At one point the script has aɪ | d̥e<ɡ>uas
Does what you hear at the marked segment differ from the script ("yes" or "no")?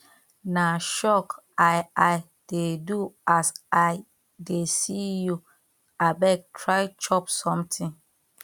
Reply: yes